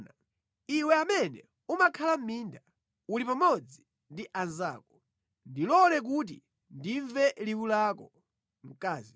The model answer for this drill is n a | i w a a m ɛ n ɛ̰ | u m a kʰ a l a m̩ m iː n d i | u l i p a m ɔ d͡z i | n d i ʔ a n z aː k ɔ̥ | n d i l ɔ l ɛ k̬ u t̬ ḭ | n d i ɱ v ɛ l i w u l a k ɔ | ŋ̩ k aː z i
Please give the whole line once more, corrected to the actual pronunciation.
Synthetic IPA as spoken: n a | i w ɛ a m ɛ n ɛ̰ | u m a kʰ a l a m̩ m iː n d a | u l i p a m ɔ d͡z i | n d i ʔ a n z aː k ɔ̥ | n d i l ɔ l ɛ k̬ u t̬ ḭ | n d i ɱ v ɛ l i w u l a k ɔ | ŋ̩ k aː z i